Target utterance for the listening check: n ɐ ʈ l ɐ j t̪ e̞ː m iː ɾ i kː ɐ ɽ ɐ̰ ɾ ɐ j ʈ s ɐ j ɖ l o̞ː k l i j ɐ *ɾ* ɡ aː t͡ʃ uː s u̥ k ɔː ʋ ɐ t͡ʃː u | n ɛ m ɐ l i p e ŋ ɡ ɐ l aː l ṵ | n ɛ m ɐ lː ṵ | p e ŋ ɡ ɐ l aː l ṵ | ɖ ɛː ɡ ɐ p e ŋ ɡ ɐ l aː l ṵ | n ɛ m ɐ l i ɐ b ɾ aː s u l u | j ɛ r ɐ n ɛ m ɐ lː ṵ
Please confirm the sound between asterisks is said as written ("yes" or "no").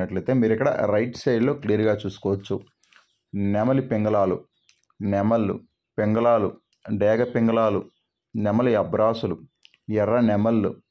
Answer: yes